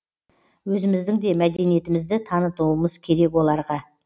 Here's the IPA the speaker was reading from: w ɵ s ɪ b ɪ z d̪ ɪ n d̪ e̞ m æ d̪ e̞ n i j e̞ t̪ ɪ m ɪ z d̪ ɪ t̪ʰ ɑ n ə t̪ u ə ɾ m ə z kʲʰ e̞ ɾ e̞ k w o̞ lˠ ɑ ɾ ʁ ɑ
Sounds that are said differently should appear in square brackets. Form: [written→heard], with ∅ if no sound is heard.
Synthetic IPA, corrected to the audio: w ɵ [s→z] ɪ [b→m] ɪ z d̪ ɪ [n→ŋ] d̪ e̞ m æ d̪ e̞ n i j e̞ t̪ ɪ m ɪ z d̪ ɪ t̪ʰ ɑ n ə t̪ u ə [ɾ→∅] m ə z kʲʰ e̞ ɾ e̞ k w o̞ lˠ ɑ ɾ ʁ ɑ

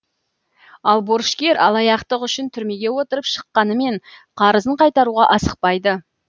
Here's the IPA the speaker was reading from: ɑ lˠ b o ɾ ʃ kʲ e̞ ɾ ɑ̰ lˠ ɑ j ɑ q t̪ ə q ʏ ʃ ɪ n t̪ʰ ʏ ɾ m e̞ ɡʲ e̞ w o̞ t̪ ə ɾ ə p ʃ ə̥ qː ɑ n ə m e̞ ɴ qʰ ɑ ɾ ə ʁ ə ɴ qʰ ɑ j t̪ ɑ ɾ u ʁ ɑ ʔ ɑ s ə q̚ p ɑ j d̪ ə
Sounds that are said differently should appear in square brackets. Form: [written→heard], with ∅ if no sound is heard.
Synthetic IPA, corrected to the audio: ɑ lˠ b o ɾ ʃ kʲ e̞ ɾ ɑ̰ lˠ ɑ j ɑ q t̪ ə q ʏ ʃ ɪ n t̪ʰ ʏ ɾ m e̞ ɡʲ e̞ w o̞ t̪ ə ɾ ə p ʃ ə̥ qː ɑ n ə m e̞ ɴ qʰ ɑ ɾ ə [ʁ→z] ə ɴ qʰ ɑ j t̪ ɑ ɾ u ʁ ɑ ʔ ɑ s ə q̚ p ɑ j d̪ ə

